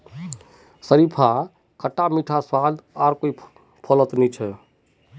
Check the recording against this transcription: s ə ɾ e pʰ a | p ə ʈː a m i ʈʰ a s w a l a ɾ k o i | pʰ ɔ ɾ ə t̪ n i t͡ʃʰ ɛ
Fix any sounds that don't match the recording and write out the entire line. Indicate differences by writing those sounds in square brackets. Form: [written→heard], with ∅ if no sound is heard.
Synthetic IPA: s ə ɾ [e→i] pʰ a | [p→k] ə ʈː a m i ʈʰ a s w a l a ɾ k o i | pʰ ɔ [ɾ→l] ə t̪ n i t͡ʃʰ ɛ